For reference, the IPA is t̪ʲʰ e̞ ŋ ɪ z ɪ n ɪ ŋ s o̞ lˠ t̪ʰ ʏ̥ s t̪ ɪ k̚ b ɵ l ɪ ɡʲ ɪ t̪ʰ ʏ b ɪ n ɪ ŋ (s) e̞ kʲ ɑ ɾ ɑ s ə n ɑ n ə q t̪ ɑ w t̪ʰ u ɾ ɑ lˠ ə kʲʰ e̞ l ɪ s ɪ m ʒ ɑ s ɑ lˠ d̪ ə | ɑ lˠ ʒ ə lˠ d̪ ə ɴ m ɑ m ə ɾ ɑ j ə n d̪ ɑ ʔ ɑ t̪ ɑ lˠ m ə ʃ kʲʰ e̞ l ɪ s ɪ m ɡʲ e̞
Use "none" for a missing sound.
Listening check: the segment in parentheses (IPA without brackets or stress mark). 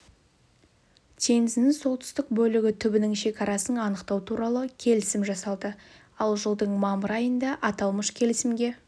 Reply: ʃ